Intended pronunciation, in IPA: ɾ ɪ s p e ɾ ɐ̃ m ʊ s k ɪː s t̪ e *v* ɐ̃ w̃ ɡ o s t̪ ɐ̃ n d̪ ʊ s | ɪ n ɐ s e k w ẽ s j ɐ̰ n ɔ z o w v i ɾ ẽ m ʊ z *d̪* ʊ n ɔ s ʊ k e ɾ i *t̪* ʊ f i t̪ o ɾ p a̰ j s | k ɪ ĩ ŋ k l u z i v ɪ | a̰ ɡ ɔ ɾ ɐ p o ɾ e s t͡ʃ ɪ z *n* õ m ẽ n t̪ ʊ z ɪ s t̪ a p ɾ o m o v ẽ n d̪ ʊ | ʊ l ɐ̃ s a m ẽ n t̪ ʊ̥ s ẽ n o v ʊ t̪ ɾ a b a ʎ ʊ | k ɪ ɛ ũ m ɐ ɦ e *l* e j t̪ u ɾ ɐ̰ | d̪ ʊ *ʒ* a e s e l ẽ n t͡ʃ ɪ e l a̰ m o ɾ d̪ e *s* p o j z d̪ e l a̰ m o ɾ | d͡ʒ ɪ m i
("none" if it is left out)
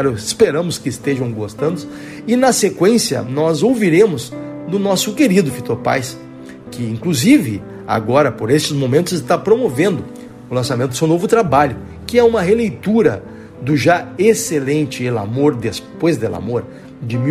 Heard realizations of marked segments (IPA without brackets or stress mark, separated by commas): ʒ, d̪, d̪, m, l, ʒ, s